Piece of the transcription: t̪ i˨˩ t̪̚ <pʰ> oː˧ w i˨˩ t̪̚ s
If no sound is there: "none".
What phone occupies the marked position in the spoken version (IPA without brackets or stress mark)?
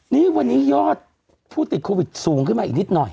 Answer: kʰ